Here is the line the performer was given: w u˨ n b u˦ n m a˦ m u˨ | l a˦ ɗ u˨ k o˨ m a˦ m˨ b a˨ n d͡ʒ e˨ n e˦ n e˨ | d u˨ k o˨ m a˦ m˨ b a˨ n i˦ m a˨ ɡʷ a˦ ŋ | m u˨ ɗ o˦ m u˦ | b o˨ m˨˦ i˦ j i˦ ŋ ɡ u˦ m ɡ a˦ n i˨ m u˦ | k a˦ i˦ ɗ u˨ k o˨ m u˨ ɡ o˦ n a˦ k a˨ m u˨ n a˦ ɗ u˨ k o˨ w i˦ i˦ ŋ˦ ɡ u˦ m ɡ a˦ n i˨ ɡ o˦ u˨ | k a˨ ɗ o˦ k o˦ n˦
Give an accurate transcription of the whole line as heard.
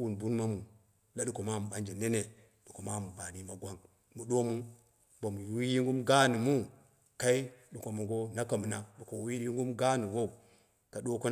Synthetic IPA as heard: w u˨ n b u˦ n m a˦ m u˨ | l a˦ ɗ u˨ k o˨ m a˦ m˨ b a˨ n d͡ʒ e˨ n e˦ n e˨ | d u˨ k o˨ m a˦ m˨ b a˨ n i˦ m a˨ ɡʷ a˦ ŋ | m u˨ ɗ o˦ m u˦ | b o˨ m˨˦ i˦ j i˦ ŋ ɡ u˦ m ɡ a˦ n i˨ m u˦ | k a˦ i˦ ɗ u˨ k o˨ m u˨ ɡ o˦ n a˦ k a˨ m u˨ n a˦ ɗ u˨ k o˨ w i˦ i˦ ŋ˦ ɡ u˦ m ɡ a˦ n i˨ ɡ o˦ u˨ | k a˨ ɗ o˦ k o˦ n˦

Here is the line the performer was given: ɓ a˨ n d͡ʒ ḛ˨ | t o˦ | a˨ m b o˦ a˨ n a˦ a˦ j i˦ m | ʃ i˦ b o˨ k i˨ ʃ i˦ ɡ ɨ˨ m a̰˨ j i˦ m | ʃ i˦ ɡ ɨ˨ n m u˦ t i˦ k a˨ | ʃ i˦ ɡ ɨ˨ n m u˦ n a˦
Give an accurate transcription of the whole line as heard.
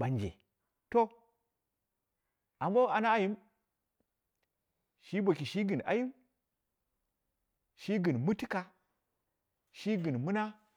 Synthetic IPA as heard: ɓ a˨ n d͡ʒ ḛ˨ | t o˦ | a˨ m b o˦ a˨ n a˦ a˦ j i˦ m | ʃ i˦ b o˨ k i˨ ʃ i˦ ɡ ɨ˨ n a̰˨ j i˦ m | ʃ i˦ ɡ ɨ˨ n m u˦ t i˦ k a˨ | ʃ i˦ ɡ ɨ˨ n m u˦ n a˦

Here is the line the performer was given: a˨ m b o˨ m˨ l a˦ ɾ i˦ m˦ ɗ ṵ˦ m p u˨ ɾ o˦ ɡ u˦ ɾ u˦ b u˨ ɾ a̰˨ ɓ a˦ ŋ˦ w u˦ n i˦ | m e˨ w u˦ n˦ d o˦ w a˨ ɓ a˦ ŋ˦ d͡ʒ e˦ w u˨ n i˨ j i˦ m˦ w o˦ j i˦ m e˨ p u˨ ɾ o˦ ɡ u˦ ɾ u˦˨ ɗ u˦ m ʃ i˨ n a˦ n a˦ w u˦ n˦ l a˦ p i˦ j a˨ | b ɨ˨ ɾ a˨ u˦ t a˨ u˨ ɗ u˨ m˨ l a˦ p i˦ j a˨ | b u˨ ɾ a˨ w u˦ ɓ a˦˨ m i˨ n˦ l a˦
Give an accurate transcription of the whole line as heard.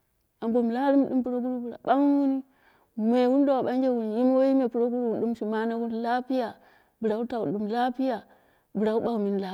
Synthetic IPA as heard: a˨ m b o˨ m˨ l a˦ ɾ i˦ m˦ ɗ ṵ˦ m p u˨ ɾ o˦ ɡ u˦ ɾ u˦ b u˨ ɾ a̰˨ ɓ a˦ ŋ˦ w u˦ n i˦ | m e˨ w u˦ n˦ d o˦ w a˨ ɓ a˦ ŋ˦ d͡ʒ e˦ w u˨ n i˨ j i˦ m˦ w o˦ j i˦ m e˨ p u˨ ɾ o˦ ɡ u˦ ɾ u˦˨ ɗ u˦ m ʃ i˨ m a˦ n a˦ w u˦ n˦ l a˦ p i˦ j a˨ | b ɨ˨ ɾ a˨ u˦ t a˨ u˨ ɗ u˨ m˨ l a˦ p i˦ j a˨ | b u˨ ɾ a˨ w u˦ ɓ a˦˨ m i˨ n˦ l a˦

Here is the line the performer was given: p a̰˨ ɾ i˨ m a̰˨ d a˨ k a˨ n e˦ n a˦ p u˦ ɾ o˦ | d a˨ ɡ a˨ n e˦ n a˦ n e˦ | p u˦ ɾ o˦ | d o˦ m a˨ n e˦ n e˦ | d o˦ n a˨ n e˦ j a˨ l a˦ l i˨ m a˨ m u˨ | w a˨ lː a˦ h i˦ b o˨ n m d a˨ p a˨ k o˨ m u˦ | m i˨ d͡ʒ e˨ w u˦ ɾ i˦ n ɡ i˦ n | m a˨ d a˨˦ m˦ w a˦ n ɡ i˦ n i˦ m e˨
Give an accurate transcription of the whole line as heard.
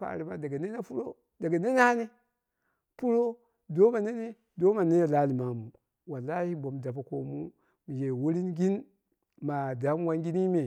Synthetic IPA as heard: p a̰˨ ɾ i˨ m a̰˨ d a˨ ɡ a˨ n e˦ n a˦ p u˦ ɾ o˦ | d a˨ ɡ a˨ n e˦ n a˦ n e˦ | p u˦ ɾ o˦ | d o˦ m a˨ n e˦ n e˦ | d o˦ m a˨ n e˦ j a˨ l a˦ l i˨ m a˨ m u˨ | w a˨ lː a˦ h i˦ b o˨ m d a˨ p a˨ k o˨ m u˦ | m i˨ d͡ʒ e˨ w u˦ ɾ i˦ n ɡ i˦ n | m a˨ d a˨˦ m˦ w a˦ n ɡ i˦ n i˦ m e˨

